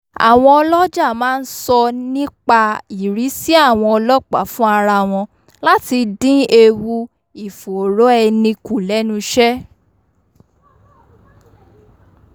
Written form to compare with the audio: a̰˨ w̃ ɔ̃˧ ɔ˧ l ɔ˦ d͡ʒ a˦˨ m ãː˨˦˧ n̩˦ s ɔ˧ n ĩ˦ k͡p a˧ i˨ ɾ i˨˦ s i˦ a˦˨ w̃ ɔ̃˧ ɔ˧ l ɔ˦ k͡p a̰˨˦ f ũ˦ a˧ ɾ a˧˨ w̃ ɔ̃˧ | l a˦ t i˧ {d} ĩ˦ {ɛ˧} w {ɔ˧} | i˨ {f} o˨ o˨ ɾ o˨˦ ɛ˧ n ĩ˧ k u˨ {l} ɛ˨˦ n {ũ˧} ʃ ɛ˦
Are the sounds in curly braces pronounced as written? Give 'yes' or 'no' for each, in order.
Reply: yes, no, no, yes, yes, yes

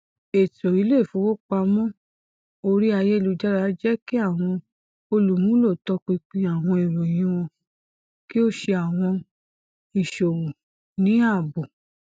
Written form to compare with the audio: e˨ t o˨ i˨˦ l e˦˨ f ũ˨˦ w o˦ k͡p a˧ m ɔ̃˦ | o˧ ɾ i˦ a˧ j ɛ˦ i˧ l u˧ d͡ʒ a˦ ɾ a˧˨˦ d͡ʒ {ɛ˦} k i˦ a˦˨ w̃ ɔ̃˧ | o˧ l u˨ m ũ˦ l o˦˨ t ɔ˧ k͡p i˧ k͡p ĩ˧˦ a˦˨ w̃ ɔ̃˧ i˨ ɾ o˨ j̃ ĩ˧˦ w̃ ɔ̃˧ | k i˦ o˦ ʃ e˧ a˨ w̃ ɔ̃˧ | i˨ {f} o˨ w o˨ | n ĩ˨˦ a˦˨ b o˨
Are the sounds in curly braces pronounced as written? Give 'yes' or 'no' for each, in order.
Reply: yes, no

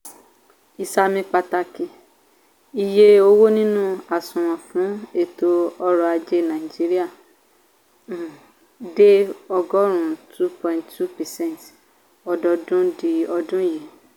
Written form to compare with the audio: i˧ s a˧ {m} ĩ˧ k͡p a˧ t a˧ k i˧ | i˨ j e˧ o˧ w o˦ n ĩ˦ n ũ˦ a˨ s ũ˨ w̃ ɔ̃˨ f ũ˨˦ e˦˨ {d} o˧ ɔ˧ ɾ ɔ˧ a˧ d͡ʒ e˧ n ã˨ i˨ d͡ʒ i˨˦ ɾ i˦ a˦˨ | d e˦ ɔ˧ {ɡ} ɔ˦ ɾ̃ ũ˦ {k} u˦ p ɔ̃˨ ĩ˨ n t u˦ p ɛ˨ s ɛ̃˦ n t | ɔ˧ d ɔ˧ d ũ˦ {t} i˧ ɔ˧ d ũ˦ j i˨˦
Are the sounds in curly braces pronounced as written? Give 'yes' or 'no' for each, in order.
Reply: yes, no, yes, no, no

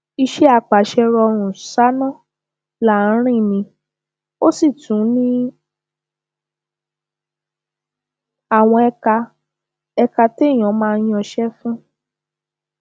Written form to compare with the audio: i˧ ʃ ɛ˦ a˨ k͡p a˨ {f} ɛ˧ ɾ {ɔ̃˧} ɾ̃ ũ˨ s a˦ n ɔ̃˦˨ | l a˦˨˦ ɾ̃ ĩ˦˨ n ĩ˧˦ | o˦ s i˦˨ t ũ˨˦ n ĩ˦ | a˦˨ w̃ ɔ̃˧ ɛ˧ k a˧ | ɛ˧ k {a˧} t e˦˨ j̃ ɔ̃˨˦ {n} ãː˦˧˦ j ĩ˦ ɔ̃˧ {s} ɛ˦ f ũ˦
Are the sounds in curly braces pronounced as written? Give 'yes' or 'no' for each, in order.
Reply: no, no, yes, no, no

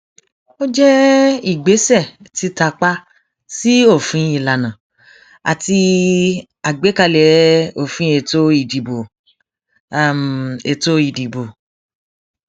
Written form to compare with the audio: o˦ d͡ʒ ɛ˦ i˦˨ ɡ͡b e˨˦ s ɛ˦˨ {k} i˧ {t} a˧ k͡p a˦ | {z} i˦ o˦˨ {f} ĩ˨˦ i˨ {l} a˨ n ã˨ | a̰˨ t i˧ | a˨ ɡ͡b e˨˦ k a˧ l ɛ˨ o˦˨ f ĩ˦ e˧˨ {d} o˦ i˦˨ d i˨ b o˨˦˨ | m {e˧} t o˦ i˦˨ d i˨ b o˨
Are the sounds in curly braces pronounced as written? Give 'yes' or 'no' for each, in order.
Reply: no, yes, no, yes, yes, no, yes

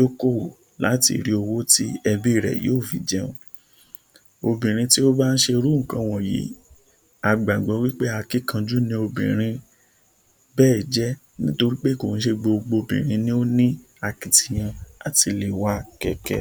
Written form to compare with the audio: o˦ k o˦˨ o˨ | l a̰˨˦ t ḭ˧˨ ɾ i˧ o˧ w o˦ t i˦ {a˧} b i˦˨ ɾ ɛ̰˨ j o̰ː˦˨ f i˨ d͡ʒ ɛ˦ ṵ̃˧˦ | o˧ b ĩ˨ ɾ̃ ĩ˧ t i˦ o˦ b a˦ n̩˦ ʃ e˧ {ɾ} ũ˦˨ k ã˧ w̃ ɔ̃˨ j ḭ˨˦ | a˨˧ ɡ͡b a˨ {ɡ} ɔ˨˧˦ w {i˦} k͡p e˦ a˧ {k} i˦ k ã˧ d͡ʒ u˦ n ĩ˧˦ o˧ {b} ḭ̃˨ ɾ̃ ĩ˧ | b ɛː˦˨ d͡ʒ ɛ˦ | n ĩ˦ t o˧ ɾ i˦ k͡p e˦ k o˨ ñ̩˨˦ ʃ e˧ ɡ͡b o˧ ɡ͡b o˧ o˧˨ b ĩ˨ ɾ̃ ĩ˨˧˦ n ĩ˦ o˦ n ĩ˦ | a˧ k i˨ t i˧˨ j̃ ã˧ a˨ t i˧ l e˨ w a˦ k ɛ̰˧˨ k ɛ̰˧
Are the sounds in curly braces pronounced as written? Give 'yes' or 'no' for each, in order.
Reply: no, yes, no, yes, yes, yes

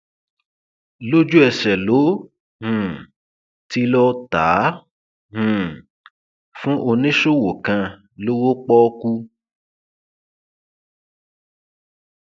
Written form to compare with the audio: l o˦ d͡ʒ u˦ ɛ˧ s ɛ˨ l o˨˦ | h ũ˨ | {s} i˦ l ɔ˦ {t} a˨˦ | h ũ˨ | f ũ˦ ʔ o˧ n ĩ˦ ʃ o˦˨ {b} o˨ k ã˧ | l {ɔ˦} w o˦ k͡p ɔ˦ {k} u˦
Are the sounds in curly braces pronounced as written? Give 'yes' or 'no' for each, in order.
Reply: no, yes, no, no, yes

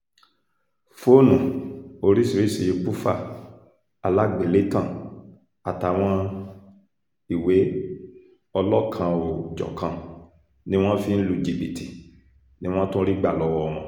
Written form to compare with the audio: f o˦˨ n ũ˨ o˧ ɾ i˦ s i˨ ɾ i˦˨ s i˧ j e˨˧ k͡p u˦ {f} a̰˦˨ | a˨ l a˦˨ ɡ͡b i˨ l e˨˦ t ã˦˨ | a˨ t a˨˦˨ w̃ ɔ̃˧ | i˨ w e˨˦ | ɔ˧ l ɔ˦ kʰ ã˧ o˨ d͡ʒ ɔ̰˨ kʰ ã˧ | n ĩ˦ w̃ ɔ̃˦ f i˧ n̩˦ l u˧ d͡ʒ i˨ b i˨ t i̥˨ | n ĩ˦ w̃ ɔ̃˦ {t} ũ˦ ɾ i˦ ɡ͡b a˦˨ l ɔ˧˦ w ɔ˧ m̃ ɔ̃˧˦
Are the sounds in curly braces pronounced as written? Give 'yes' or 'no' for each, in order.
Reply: yes, yes

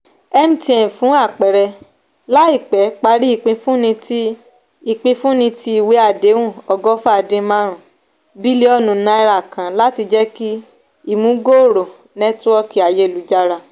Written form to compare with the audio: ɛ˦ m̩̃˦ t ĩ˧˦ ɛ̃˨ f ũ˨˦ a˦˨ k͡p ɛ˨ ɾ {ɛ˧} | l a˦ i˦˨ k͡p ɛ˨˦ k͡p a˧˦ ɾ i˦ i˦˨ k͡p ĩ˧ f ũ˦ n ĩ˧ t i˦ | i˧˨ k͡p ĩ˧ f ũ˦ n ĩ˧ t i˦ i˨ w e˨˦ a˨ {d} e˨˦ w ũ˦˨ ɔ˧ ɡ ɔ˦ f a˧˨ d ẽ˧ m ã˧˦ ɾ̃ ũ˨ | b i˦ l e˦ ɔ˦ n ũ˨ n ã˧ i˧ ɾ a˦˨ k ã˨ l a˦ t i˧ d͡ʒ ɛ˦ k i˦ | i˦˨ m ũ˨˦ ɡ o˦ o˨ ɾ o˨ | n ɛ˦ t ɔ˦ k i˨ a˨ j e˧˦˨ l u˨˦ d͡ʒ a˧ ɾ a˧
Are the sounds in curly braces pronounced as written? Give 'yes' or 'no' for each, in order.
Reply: yes, yes

